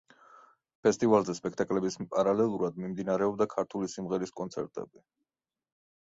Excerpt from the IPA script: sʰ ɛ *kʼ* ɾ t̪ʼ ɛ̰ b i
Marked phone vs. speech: incorrect: none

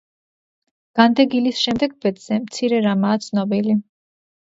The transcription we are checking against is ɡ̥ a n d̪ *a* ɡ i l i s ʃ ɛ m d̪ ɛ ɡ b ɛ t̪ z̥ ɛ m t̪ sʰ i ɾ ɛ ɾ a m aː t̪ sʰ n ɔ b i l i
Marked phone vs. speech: incorrect: ɛ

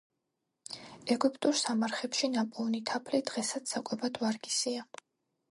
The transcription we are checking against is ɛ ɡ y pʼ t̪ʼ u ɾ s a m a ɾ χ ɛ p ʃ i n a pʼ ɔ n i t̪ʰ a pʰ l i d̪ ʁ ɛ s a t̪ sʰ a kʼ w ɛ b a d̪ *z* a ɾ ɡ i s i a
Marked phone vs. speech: incorrect: v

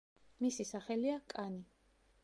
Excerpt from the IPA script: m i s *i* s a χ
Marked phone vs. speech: correct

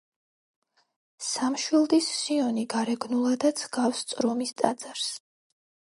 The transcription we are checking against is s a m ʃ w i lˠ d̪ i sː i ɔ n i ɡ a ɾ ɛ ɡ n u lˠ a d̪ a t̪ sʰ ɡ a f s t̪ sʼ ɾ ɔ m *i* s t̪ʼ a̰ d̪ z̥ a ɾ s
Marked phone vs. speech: correct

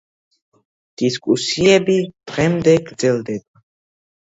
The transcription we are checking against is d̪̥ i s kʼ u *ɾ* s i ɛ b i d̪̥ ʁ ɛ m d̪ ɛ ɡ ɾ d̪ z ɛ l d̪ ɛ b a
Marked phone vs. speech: incorrect: none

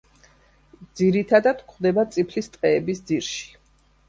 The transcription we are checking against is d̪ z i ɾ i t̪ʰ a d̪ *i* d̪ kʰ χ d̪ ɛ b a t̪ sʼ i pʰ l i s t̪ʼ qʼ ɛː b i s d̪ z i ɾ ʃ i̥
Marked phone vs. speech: incorrect: a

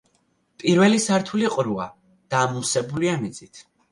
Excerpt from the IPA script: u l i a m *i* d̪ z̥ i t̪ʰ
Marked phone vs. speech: correct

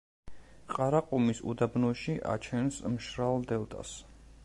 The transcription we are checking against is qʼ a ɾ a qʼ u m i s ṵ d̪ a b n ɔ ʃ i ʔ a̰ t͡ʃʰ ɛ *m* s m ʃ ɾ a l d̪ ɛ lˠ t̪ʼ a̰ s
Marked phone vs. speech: incorrect: n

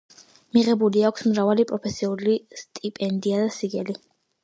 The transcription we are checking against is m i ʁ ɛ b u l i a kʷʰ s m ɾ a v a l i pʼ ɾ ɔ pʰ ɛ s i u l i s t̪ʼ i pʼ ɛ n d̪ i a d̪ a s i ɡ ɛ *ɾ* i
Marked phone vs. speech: incorrect: l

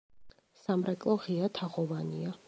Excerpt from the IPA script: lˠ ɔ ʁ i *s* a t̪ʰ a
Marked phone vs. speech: incorrect: none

